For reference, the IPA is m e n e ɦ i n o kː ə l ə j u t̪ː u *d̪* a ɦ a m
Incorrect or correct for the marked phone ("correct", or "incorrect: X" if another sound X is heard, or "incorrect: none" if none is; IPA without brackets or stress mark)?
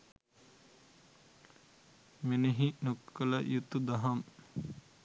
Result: correct